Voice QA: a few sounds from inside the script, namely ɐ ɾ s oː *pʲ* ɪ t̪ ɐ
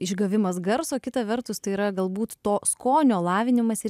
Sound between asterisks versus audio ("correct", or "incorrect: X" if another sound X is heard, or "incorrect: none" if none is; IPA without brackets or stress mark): incorrect: kʲ